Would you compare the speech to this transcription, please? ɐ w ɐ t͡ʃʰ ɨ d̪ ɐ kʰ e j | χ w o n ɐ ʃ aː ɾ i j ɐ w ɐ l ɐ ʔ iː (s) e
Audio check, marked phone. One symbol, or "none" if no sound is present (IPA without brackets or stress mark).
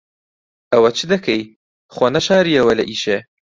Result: ʃ